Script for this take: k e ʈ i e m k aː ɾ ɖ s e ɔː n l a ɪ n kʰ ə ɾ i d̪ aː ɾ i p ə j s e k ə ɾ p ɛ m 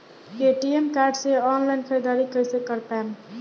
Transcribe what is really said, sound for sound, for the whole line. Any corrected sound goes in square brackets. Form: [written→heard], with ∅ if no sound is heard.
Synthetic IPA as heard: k e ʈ i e m k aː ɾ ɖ s e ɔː n l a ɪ n kʰ ə ɾ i d̪ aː ɾ i [p→k] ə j s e k ə ɾ p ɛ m